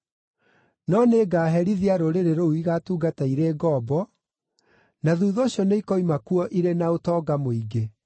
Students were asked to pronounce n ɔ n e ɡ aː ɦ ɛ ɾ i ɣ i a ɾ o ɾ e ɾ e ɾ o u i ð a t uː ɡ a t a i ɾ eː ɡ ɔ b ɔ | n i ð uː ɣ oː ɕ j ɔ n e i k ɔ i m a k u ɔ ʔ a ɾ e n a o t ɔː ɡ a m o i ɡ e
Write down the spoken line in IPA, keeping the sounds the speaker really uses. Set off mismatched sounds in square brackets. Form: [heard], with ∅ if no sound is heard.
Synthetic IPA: n ɔ n e ɡ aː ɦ ɛ ɾ i [ð] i a ɾ o ɾ e ɾ e ɾ o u i [ɣ] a t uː ɡ a t a i ɾ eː ɡ ɔ b ɔ | n [a] ð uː [ð] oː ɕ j ɔ n e i k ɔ i m a k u ɔ ʔ [i] ɾ e n a o t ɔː ɡ a m o i ɡ e